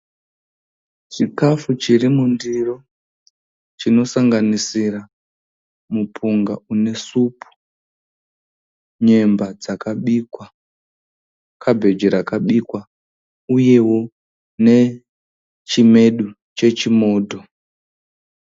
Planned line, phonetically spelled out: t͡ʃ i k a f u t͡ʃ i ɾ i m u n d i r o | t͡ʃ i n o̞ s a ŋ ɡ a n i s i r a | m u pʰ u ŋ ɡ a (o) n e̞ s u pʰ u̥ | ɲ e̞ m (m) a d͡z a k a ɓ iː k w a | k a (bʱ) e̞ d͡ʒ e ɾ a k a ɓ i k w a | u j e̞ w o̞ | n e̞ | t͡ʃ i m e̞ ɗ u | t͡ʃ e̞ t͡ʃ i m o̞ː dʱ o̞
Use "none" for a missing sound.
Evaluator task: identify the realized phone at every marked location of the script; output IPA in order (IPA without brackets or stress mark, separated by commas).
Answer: u, b, bʱ